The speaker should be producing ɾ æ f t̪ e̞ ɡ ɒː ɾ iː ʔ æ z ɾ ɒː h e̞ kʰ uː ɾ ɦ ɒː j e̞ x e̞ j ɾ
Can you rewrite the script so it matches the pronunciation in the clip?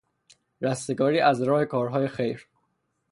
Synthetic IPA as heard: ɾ æ s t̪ e̞ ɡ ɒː ɾ iː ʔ æ z ɾ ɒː h e̞ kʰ ɒː ɾ ɦ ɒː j e̞ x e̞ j ɾ